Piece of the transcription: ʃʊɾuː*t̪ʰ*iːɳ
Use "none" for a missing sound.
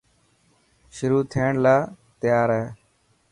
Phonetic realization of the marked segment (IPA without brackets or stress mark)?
t̪ʰ